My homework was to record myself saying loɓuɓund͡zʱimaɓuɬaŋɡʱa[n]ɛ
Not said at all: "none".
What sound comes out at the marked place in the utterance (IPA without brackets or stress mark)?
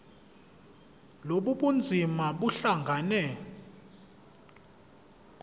n